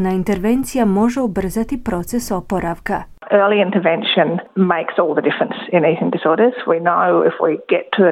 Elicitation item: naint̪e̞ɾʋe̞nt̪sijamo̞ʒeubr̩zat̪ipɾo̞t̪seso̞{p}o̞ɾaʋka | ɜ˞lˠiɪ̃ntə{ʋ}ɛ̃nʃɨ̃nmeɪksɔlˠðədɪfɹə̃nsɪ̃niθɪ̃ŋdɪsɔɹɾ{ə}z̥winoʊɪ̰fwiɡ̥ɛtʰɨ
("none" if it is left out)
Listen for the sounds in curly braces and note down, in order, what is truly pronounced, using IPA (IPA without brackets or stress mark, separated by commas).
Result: p, v, ə